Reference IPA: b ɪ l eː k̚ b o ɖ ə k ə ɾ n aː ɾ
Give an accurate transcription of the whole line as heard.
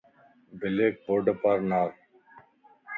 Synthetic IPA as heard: b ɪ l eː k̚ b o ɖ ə p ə ɾ n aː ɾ